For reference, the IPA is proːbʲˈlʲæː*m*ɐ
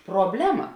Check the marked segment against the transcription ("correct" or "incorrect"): correct